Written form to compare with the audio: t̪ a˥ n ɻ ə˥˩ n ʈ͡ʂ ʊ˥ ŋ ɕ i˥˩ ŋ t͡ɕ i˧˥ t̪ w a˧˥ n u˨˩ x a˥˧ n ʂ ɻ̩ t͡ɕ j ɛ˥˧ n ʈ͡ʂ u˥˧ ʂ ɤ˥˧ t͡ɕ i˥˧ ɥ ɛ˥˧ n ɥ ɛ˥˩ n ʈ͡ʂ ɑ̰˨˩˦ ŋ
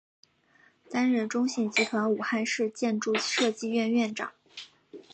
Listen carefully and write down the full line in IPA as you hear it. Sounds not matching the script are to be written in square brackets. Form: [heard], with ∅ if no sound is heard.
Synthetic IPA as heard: t̪ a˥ n ɻ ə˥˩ n ʈ͡ʂ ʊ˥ ŋ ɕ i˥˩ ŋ t͡ɕ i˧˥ [t̪ʰ] w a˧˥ n u˨˩ x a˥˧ n ʂ ɻ̩ t͡ɕ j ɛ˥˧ n ʈ͡ʂ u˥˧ ʂ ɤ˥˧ t͡ɕ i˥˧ ɥ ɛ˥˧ n ɥ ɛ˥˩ n ʈ͡ʂ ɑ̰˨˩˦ ŋ